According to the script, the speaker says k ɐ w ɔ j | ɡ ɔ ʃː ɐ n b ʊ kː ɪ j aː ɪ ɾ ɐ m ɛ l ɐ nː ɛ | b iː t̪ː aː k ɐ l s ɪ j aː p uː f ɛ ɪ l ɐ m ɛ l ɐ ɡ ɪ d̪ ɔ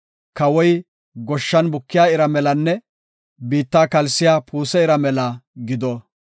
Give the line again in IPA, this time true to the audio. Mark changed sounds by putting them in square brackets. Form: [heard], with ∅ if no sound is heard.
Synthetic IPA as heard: k ɐ w ɔ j | ɡ ɔ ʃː ɐ n b ʊ kː ɪ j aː ɪ ɾ ɐ m ɛ l ɐ nː ɛ | b iː t̪ː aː k ɐ l s ɪ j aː p uː [s] ɛ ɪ [ɾ] ɐ m ɛ l ɐ ɡ ɪ d̪ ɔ